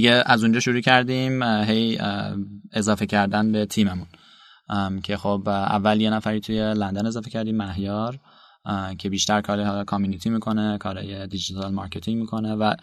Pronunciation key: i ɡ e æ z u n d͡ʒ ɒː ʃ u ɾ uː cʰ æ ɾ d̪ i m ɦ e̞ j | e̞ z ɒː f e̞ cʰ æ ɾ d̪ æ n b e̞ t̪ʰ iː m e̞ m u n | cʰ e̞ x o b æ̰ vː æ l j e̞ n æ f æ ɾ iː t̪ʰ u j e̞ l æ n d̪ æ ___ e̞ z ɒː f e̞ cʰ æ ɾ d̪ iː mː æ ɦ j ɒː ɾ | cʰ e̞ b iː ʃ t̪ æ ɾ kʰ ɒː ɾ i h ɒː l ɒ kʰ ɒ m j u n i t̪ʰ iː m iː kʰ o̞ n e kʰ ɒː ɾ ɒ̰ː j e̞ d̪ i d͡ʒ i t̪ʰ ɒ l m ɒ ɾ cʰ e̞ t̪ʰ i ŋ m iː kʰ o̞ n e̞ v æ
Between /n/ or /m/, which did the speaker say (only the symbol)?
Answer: n